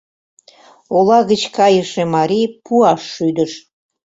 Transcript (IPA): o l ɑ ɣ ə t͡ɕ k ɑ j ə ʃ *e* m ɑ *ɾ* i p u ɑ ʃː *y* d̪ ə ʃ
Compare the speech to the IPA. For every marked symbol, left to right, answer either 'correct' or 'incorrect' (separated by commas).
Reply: correct, correct, correct